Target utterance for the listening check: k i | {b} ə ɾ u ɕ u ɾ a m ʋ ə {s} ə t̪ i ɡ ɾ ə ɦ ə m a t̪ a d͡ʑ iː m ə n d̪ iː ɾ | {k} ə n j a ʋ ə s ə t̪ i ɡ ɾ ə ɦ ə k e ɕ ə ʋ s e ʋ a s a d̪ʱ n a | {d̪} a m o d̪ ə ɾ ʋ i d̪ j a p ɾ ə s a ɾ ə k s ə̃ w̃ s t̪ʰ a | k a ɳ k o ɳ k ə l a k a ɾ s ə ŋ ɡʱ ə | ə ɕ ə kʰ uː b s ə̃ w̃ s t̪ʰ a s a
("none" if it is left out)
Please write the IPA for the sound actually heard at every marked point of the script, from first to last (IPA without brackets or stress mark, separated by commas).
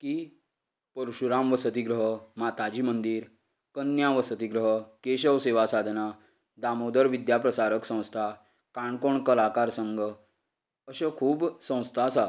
p, s, k, d̪